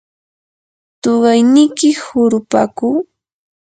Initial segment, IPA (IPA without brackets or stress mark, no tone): t̪